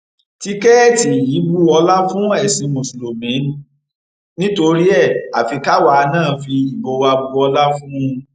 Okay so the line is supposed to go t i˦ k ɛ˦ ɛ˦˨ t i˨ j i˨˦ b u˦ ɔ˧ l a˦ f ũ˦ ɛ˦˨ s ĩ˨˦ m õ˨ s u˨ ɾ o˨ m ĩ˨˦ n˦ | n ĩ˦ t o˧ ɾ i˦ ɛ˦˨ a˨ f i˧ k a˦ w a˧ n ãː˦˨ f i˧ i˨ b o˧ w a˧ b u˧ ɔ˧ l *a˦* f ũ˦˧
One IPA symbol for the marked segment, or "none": a˦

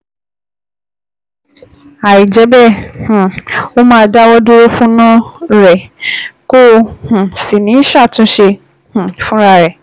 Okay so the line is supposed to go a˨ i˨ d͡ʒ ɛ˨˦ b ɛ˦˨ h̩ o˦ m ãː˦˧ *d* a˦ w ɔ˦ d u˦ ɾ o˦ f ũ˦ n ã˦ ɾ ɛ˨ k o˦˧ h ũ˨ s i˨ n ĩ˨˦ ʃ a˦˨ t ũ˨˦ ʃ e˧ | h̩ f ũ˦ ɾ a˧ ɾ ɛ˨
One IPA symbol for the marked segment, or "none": d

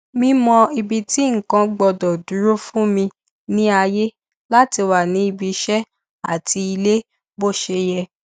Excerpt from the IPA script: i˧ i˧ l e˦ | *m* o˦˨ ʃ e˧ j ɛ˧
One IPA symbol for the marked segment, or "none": b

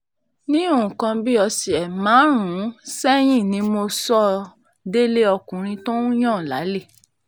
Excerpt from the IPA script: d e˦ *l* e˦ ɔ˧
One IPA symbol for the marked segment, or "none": l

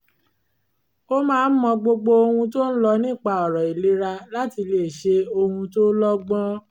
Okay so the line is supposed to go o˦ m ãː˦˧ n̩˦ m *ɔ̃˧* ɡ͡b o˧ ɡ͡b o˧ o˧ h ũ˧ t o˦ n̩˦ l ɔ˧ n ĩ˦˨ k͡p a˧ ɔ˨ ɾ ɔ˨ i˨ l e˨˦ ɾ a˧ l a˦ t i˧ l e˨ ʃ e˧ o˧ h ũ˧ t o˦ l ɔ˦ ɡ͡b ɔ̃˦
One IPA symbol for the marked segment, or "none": ɔ̃˧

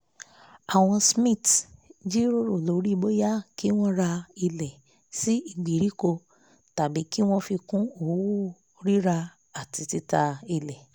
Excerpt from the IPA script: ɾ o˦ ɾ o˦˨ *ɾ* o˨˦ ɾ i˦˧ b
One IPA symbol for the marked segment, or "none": l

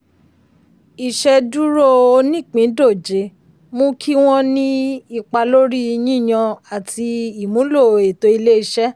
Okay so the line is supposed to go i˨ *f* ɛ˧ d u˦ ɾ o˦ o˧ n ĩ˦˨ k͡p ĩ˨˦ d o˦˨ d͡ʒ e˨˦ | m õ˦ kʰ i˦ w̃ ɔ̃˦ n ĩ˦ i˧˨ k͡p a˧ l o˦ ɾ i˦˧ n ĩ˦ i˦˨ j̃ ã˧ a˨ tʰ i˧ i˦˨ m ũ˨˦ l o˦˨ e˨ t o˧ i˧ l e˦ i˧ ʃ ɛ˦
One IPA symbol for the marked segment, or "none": ʃ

